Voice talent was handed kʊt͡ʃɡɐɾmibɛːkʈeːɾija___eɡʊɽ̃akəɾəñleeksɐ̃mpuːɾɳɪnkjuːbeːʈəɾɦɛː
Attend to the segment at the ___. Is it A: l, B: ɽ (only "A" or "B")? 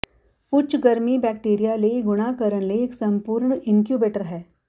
A